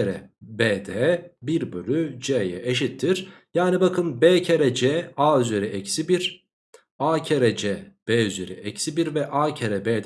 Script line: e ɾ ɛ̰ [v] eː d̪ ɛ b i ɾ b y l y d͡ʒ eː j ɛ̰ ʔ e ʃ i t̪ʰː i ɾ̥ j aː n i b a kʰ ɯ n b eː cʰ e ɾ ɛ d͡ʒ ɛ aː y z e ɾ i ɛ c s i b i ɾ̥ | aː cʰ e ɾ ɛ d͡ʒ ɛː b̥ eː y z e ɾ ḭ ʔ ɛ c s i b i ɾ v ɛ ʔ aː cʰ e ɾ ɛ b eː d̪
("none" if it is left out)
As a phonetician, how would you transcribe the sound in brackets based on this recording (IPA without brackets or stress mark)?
b